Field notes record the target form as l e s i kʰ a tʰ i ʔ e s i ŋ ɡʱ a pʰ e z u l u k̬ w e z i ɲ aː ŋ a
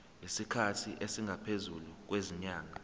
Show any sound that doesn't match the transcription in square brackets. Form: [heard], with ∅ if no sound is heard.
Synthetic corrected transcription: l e s i kʰ a tʰ i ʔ e s i ŋ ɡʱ a pʰ e z u l u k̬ w e z i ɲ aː ŋ a